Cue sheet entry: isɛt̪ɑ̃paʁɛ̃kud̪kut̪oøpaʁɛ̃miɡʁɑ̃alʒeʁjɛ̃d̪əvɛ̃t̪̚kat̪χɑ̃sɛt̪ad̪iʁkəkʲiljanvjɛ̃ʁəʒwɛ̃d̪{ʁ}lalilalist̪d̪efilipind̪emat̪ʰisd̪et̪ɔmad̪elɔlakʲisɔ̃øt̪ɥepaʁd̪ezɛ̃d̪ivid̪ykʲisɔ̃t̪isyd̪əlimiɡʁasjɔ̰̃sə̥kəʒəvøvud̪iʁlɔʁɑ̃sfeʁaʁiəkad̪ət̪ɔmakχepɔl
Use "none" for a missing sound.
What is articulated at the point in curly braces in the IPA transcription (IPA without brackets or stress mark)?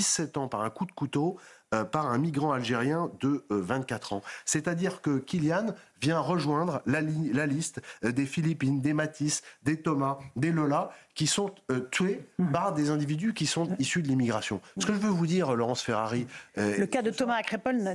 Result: ʁ